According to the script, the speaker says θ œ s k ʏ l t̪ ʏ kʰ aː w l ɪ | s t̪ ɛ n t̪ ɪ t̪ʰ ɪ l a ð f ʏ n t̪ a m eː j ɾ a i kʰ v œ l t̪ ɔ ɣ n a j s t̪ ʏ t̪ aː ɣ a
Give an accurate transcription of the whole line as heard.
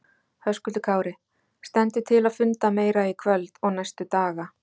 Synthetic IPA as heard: h œ s k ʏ l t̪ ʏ kʰ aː w ɾ ɪ | s t̪ ɛ n t̪ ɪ t̪ʰ ɪ l a ð f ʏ n t̪ a m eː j ɾ a i kʰ v œ l t̪ ɔ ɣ n a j s t̪ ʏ t̪ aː ɣ a

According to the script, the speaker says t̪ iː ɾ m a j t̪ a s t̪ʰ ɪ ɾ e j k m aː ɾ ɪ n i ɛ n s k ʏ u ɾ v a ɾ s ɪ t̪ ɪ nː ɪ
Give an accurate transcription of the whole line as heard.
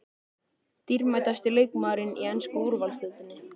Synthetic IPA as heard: t̪ i ɾ m a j t̪ a s t̪ ɪ l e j k m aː ɾ ɪ n i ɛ n s k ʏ u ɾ v a l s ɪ t̪ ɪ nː ɪ

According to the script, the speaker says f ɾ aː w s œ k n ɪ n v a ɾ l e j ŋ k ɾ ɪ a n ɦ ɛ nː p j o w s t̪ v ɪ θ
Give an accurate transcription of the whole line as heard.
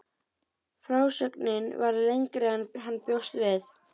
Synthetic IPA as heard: f ɾ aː w s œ k n ɪ n v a ɾ l e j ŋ k ɾ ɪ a n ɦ a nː p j o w s t̪ v ɪ θ

